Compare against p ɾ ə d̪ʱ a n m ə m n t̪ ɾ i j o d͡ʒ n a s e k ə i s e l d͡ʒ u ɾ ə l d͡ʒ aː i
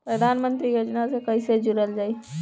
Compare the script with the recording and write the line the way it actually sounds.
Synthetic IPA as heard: p ɾ ə d̪ʱ a n m ə n t̪ ɾ i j o d͡ʒ n a s e k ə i s e d͡ʒ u ɾ ə l d͡ʒ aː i